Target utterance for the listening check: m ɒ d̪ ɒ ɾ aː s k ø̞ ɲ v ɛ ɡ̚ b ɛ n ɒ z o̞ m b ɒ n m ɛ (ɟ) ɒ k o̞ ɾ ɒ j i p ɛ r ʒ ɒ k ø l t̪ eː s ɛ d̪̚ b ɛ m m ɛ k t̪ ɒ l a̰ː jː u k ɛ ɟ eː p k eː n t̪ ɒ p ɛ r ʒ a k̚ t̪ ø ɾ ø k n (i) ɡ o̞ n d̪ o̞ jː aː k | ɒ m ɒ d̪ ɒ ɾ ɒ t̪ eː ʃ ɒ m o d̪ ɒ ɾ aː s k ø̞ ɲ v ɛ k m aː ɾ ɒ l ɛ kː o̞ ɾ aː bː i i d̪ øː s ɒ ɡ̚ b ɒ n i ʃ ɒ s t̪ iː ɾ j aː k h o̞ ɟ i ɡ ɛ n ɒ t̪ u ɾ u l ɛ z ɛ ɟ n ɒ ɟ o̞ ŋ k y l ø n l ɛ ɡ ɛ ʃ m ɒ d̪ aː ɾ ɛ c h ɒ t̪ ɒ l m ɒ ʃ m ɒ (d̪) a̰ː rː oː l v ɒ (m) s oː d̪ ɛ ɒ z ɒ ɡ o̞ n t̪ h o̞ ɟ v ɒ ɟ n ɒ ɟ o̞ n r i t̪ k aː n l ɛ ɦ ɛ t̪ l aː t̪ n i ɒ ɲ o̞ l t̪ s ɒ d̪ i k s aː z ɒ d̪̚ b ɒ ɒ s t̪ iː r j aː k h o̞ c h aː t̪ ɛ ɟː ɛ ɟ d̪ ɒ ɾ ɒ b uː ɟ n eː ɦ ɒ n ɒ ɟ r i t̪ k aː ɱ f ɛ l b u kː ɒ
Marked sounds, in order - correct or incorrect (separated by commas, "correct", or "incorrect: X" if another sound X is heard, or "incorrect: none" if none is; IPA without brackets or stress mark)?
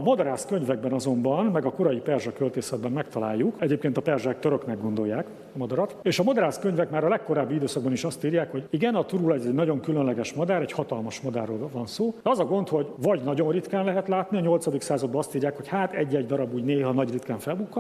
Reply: incorrect: ɡ, incorrect: ɛ, correct, incorrect: n